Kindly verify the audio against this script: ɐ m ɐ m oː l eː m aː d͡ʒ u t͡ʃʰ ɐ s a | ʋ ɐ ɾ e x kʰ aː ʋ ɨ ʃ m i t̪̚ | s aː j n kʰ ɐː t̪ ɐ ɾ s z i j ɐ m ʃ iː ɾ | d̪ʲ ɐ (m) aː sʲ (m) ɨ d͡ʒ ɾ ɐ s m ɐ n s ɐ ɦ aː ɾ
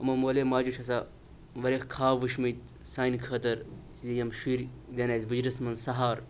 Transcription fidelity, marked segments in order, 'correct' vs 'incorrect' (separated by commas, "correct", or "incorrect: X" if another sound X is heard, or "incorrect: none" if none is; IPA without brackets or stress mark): incorrect: n, incorrect: b